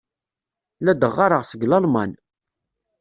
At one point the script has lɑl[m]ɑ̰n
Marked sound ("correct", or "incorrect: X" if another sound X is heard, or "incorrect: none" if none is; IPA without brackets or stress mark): correct